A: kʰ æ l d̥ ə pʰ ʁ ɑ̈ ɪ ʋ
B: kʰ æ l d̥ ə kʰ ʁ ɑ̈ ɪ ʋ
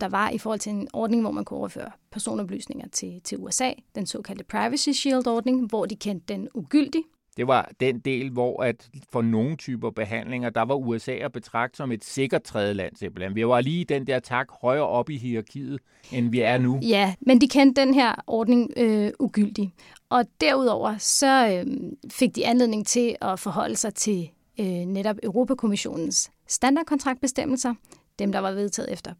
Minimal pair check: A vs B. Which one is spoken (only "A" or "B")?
A